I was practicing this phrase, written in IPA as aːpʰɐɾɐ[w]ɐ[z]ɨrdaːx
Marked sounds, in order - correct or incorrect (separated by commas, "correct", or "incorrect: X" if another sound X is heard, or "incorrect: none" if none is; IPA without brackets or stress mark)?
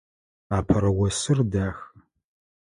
correct, incorrect: s